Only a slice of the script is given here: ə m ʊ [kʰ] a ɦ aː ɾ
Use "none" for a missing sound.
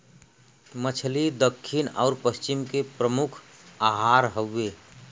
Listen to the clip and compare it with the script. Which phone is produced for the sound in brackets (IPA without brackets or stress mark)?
kʰ